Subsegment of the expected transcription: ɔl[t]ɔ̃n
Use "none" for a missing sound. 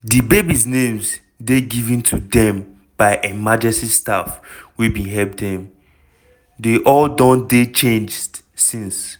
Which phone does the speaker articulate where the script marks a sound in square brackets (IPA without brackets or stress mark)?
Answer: d